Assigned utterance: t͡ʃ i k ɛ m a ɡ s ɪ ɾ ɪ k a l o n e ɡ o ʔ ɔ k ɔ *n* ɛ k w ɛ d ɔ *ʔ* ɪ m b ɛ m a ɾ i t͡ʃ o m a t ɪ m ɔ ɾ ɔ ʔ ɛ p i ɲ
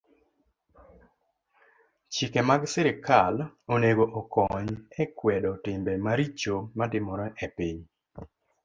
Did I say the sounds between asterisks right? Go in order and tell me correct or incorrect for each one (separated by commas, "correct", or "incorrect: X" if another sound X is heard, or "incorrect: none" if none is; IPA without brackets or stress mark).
incorrect: ɲ, incorrect: t